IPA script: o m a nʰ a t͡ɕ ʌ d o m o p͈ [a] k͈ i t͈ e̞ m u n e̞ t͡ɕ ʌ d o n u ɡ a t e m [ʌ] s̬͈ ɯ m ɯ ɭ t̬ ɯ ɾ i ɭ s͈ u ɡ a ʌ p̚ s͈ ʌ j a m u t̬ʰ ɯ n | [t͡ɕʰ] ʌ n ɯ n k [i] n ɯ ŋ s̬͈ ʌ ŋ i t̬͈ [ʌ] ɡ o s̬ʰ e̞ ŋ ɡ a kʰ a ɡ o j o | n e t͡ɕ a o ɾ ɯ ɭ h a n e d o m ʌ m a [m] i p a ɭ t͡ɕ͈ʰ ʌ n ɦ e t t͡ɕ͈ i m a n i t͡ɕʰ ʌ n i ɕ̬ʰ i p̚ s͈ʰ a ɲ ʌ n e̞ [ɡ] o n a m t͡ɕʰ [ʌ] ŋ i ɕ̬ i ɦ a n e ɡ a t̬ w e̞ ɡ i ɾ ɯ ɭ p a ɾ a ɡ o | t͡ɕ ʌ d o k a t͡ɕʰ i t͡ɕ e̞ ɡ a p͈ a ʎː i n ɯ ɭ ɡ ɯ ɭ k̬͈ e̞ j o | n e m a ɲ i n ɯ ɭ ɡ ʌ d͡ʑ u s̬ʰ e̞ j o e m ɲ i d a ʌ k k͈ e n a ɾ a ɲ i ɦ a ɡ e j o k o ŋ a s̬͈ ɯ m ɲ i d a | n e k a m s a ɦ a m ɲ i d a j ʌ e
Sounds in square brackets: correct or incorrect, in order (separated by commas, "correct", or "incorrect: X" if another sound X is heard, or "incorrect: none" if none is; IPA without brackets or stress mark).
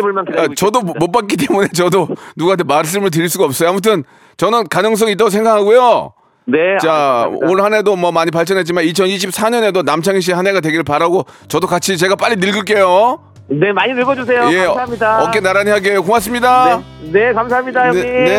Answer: correct, incorrect: a, incorrect: t͡ɕ, incorrect: a, incorrect: a, incorrect: ɲ, incorrect: d, incorrect: a